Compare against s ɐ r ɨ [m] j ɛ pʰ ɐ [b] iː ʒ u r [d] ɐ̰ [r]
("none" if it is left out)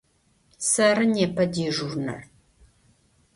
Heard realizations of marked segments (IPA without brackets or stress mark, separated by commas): n, d, n, r